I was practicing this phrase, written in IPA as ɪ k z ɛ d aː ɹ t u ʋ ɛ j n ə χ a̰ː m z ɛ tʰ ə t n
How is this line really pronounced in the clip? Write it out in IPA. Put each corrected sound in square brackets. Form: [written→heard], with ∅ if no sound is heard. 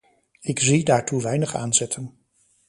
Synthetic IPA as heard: ɪ k z [ɛ→i] d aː ɹ t u ʋ ɛ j n ə χ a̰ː [m→n] z ɛ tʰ ə [t→∅] n